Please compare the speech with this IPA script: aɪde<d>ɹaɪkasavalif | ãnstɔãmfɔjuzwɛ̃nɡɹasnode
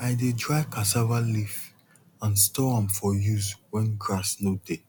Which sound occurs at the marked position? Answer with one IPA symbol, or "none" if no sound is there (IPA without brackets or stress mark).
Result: d